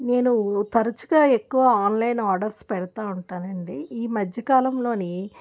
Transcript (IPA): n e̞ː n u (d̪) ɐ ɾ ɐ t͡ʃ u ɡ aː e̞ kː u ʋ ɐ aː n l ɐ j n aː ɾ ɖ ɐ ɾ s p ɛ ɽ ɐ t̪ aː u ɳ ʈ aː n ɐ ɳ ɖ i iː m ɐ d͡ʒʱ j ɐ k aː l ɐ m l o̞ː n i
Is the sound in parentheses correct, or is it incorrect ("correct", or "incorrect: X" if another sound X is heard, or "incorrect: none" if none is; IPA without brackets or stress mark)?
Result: incorrect: t̪